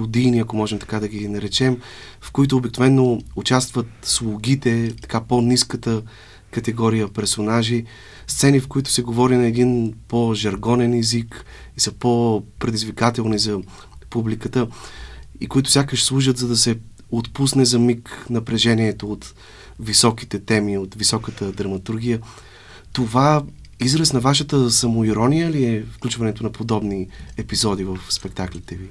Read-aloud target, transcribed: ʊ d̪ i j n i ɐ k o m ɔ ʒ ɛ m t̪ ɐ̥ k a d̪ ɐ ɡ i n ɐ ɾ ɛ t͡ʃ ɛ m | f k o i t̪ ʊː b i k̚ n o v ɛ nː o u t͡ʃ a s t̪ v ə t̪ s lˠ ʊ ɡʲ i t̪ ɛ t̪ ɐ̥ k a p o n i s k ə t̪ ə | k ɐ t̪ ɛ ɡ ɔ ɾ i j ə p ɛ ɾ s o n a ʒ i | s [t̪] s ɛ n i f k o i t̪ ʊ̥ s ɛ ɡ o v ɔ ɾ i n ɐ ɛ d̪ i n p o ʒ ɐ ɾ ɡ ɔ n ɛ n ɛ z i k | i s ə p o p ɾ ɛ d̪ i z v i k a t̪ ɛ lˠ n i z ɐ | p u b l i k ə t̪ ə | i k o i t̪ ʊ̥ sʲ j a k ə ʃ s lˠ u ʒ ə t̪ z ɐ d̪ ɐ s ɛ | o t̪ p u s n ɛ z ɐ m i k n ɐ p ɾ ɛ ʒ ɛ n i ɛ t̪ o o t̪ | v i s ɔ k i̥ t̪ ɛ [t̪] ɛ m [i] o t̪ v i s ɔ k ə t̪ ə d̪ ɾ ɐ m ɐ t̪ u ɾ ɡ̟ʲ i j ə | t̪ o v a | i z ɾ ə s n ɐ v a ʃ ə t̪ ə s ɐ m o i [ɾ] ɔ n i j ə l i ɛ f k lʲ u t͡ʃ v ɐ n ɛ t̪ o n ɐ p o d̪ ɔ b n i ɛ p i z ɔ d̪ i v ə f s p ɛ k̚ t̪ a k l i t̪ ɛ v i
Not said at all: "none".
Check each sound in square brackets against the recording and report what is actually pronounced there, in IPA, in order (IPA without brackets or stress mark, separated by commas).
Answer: t̪, t̪, i, ɾ